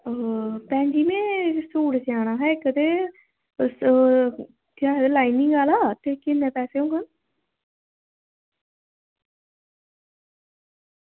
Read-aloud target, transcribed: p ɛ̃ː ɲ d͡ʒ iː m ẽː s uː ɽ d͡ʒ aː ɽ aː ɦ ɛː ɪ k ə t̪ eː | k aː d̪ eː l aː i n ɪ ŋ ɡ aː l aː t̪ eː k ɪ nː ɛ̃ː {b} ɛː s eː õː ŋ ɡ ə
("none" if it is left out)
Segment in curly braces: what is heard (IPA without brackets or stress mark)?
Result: p